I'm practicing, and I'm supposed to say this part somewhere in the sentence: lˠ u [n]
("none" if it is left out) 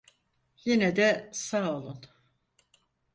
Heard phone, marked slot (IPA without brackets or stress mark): n